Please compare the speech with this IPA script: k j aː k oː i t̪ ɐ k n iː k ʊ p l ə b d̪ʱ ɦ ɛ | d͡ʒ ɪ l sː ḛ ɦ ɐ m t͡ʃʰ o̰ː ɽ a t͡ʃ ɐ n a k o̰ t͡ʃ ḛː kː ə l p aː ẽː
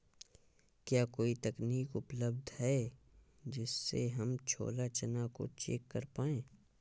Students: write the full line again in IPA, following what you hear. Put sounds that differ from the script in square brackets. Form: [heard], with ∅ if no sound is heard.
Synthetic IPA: k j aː k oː i t̪ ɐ k n iː k ʊ p l ə b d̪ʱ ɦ ɛ | d͡ʒ ɪ [∅] sː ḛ ɦ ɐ m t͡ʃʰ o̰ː [l] a t͡ʃ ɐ n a k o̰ t͡ʃ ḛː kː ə [ɾ] p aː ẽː